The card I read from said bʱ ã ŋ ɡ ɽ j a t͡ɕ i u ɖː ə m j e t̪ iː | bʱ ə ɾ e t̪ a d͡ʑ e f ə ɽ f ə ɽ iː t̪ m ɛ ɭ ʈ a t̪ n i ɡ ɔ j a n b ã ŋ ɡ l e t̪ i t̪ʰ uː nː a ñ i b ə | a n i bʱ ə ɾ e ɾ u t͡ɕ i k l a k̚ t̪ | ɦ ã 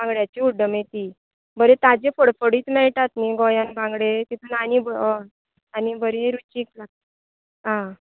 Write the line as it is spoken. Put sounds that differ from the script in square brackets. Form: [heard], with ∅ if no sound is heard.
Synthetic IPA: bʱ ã ŋ ɡ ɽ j a t͡ɕ i u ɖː ə m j e t̪ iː | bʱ ə ɾ e t̪ a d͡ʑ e f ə ɽ f ə ɽ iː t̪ m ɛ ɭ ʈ a t̪ n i ɡ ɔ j a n b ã ŋ ɡ [ɽ] e t̪ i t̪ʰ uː [n] a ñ i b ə | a n i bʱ ə ɾ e ɾ u t͡ɕ i k l a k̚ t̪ | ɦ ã